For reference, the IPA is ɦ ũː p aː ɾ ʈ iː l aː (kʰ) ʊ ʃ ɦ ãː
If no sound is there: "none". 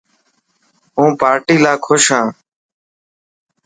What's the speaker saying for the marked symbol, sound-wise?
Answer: kʰ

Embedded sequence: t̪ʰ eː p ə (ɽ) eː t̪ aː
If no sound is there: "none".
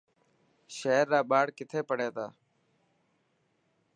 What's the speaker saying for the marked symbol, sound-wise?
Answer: ɽ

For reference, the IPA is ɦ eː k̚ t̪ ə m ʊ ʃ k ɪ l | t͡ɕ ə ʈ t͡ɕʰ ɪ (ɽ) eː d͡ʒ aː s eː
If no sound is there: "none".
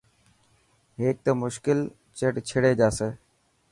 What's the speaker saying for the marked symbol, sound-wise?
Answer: ɽ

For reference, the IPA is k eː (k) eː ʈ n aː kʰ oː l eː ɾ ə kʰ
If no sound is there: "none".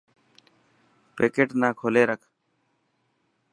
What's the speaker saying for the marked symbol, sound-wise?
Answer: k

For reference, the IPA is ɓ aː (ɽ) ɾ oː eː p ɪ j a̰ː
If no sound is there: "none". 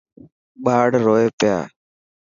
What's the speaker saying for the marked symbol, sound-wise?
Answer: ɽ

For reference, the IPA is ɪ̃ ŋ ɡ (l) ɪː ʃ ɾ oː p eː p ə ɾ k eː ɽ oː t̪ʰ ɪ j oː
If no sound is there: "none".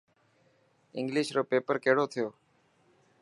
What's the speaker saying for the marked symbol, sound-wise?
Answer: l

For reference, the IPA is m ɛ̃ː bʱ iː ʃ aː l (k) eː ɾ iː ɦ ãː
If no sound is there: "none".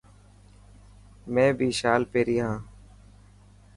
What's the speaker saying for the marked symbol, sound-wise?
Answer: p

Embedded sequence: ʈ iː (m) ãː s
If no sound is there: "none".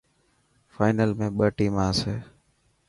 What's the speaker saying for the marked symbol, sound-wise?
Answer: m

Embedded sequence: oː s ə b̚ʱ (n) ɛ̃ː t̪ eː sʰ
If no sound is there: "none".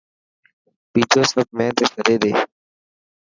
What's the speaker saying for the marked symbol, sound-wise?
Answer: m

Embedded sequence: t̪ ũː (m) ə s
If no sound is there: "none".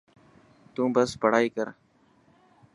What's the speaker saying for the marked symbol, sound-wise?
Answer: b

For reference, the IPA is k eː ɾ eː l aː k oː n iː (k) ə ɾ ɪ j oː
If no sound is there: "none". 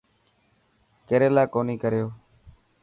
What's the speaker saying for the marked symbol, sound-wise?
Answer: k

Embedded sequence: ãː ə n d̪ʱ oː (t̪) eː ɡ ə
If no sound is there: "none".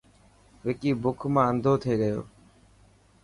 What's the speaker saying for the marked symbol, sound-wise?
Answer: t̪ʰ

